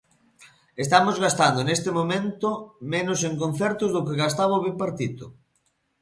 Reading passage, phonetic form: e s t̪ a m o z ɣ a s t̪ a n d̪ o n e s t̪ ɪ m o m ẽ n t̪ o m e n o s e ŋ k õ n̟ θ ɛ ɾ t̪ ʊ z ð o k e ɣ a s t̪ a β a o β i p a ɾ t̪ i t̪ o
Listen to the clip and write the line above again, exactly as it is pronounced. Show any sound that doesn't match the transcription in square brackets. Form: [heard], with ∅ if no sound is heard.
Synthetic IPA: e s t̪ a m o z ɣ a s t̪ a n d̪ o n e s t̪ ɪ m o m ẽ n t̪ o m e n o s e ŋ k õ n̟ θ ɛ ɾ t̪ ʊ z ð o k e ɣ a s t̪ a β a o β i p a ɾ t̪ i t̪ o